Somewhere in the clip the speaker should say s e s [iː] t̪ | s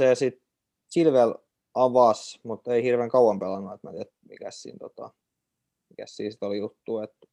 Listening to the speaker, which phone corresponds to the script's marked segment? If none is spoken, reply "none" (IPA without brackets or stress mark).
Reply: i